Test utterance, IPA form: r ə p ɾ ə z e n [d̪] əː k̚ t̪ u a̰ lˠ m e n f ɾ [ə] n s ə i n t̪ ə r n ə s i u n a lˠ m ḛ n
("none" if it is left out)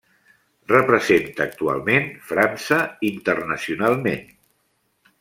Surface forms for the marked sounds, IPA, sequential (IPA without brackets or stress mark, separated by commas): t̪, a